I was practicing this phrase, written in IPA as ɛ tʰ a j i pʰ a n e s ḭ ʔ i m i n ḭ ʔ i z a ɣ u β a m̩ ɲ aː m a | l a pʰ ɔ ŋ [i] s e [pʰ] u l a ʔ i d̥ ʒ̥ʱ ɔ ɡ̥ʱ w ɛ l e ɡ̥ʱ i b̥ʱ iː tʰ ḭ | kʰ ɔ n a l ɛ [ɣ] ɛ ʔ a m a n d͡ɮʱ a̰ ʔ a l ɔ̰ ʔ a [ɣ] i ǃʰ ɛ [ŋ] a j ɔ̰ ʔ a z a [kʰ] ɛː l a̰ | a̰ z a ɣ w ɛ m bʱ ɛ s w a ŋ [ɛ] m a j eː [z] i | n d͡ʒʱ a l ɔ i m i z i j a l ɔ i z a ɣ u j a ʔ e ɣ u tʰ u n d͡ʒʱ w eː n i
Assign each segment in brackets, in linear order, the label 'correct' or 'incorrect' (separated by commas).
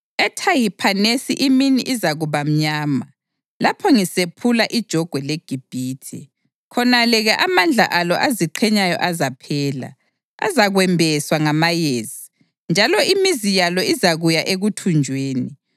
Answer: correct, correct, correct, incorrect, incorrect, incorrect, incorrect, correct